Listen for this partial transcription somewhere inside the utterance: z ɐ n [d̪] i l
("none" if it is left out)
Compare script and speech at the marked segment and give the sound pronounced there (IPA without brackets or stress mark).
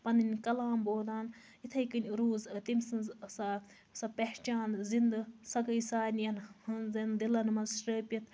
d̪